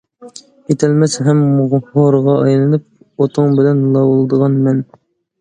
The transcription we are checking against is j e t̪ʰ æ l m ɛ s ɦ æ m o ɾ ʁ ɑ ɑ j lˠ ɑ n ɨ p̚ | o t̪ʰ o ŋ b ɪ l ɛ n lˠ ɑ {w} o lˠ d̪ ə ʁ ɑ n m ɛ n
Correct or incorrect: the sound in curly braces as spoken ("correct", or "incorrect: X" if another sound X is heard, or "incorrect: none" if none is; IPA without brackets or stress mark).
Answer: correct